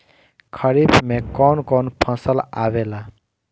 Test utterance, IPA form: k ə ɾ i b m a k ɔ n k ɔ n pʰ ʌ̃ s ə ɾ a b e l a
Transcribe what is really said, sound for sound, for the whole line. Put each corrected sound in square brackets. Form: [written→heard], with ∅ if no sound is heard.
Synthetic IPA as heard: [k→kʰ] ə ɾ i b m [a→e] k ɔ n k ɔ n pʰ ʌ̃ s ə [ɾ→l] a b e l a